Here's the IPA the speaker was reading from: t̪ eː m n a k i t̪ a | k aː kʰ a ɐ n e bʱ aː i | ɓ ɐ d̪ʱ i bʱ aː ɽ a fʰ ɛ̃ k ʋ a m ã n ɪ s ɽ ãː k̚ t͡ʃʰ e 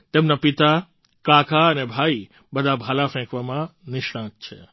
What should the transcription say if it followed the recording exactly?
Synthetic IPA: t̪ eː m n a p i t̪ a | k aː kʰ a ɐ n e bʱ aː i | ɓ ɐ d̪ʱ a bʱ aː l a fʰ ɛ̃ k ʋ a m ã n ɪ ʃ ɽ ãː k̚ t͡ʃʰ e